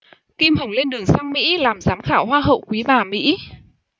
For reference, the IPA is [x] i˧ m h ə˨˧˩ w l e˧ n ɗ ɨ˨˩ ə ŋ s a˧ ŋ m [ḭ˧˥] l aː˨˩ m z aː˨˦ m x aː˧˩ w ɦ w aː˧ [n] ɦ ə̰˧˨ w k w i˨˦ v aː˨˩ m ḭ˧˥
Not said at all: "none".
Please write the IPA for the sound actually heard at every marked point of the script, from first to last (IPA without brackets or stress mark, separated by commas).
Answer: k, ḭ˧˥, none